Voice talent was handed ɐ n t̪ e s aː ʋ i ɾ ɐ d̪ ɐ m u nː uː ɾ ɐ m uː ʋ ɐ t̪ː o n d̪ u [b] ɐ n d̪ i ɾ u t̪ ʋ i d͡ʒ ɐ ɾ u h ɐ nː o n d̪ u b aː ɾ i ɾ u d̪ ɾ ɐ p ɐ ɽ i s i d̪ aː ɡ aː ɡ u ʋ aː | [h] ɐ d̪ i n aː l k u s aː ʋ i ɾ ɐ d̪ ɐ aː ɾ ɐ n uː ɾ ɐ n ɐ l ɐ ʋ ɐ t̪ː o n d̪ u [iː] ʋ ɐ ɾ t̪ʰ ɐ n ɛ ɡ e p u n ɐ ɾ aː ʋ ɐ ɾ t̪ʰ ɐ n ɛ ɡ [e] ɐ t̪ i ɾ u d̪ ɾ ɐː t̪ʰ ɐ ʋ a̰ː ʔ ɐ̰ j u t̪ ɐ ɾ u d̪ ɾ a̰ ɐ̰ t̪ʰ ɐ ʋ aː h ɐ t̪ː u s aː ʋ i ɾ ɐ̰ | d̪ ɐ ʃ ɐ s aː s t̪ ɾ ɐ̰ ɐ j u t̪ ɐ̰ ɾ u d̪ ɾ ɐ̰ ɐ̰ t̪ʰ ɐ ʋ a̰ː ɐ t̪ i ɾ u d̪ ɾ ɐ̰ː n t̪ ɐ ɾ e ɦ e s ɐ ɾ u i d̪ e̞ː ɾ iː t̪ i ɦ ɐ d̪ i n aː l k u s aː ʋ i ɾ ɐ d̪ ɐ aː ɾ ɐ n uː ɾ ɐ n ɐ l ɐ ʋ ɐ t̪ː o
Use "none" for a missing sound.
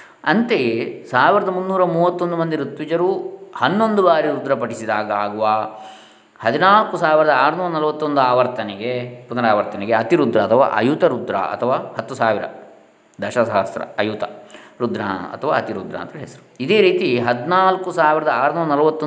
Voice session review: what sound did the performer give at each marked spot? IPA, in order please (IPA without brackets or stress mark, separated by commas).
m, h, aː, e